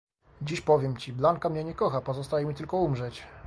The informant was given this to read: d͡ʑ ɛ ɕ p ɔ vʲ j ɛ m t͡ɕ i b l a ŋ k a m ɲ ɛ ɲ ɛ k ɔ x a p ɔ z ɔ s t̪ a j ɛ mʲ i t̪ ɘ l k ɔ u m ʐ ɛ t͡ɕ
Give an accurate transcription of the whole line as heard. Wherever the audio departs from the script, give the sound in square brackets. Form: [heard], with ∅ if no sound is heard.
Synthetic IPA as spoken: d͡ʑ [i] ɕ p ɔ vʲ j ɛ m t͡ɕ i b l a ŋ k a m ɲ ɛ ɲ ɛ k ɔ x a p ɔ z ɔ s t̪ a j ɛ mʲ i t̪ ɘ l k ɔ u m ʐ ɛ t͡ɕ